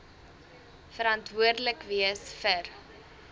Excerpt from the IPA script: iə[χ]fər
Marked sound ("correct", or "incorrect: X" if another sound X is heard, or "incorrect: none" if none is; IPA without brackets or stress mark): incorrect: s